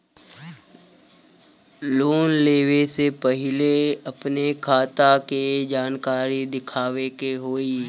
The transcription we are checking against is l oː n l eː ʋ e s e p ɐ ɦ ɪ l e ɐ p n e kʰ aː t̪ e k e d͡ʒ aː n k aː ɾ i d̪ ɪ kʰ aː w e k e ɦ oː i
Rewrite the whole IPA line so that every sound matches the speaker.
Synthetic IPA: l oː n l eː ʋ e s e p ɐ ɦ ɪ l e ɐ p n e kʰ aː t̪ a k e d͡ʒ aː n k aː ɾ i d̪ ɪ kʰ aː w e k e ɦ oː i